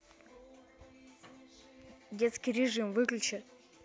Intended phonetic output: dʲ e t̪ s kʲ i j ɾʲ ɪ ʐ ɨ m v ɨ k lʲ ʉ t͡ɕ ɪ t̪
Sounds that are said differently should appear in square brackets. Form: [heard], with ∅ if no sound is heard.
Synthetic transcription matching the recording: dʲ e t̪ s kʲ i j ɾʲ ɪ ʐ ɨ m v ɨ k lʲ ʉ t͡ɕ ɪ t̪